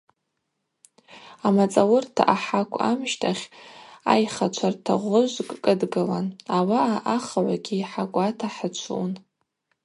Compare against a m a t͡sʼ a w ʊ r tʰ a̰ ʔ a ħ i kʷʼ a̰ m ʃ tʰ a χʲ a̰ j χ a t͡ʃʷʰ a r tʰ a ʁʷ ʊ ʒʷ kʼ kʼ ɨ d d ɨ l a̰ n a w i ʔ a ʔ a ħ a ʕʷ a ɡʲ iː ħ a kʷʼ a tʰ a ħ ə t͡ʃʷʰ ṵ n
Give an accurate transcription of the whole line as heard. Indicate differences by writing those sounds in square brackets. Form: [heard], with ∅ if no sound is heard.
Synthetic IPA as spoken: a m a t͡sʼ a w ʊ r tʰ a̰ ʔ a ħ [a] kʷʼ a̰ m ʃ tʰ a χʲ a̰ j χ a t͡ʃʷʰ a r tʰ a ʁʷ ʊ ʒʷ kʼ kʼ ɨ d [ɡ] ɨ l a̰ n a w [a] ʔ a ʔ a [χ] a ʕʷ a ɡʲ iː ħ a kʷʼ a tʰ a ħ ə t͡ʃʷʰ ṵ n